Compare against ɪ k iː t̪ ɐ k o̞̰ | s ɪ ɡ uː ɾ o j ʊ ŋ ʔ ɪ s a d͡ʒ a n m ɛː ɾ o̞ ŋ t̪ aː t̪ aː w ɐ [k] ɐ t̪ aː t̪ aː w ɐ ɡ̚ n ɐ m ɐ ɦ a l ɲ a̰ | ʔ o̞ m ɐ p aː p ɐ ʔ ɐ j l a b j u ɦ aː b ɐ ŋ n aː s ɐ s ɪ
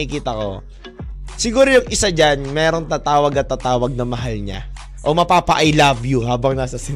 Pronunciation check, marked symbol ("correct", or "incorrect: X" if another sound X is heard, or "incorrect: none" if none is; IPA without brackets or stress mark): incorrect: ɡ